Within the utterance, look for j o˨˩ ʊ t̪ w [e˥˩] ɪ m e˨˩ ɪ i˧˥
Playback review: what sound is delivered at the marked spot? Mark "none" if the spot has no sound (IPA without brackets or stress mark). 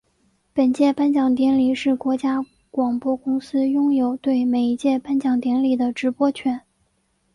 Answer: e˥˩